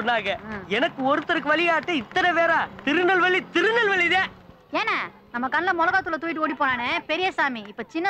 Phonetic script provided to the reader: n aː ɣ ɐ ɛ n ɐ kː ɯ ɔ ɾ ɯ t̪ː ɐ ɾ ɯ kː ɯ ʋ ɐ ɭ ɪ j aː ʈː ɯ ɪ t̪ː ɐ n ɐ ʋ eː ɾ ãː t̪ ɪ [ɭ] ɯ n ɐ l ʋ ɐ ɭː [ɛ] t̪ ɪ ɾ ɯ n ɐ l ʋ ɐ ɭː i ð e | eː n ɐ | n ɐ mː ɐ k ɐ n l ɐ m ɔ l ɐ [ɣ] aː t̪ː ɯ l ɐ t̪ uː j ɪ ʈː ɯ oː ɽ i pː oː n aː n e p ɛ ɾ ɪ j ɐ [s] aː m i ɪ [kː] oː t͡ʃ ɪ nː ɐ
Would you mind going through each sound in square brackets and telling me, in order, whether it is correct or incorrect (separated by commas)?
incorrect, incorrect, correct, correct, incorrect